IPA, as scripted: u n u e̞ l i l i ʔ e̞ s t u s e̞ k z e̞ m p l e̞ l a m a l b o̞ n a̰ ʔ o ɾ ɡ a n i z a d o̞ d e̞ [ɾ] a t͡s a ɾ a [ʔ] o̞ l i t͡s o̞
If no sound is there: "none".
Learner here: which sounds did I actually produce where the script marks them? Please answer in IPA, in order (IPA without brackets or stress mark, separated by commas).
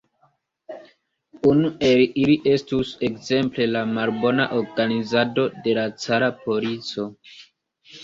l, p